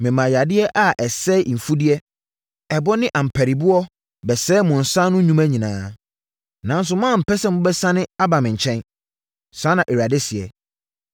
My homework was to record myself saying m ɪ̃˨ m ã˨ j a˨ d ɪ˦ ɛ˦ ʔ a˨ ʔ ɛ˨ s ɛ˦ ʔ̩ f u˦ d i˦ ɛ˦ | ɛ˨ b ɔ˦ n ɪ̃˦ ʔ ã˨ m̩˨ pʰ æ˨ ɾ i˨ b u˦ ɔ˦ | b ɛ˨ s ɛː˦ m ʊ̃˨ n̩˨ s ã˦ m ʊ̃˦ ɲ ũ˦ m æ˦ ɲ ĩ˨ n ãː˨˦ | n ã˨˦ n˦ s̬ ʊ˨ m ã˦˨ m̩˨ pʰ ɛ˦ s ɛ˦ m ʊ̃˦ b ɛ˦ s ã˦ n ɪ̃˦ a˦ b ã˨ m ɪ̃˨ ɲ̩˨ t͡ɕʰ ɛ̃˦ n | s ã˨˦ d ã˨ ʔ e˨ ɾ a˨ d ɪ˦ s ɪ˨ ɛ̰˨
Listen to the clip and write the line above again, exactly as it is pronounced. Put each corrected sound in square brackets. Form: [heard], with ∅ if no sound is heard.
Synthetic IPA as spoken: m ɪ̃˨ m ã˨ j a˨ d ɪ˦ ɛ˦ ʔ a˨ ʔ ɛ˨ s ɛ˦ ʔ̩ f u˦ d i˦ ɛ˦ | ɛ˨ b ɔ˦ n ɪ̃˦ ʔ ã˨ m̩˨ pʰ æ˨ ɾ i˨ b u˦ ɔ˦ | b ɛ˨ s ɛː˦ m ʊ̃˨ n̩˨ s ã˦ [n] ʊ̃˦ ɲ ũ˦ m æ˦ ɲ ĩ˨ n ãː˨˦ | n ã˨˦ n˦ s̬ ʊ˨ m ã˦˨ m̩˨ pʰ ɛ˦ s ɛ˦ m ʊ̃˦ b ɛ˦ s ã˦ n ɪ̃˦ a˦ b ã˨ m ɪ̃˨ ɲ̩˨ t͡ɕʰ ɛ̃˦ n | s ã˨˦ [n] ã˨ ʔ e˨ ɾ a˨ d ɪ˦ s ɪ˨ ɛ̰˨